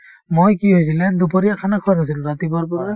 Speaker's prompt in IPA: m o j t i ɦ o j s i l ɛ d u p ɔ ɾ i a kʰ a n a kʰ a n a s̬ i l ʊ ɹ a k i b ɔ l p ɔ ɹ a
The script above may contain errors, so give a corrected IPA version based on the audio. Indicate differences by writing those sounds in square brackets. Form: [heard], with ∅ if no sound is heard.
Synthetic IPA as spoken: m o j [k] i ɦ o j s i l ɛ d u p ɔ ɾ i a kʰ a n a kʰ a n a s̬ i l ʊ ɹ a [t] i b ɔ [ɹ] p ɔ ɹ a